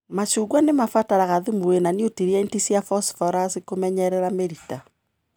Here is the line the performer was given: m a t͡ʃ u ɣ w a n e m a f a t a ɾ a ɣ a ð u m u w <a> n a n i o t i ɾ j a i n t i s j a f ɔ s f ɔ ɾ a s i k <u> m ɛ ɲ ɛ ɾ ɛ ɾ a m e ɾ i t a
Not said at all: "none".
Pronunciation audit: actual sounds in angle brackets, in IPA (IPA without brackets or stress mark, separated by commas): e, o